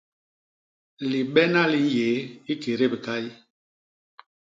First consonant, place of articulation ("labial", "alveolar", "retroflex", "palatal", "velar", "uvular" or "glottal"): alveolar